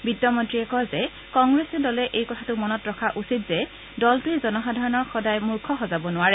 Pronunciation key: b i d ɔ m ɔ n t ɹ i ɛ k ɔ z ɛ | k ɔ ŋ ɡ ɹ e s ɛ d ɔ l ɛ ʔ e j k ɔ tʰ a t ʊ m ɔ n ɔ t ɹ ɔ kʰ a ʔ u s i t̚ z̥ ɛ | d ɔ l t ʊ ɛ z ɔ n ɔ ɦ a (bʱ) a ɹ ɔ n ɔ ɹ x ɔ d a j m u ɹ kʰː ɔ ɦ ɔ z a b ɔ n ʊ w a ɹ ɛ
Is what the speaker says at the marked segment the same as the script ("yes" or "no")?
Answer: no